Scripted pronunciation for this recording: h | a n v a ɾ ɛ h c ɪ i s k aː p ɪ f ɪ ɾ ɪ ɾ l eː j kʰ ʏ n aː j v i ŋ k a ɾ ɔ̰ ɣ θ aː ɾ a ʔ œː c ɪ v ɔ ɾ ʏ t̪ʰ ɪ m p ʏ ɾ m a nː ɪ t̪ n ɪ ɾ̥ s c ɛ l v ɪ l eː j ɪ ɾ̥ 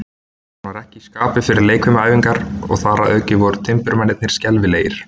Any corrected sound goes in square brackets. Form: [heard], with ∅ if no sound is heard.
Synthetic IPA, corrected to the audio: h | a n v a ɾ ɛ h c ɪ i s k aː p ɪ f ɪ ɾ ɪ ɾ l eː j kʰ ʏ [m] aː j v i ŋ k a ɾ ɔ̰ ɣ θ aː ɾ a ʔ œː c ɪ v ɔ ɾ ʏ t̪ʰ ɪ m p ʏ ɾ m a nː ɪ t̪ n ɪ ɾ̥ s c ɛ l v ɪ l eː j ɪ ɾ̥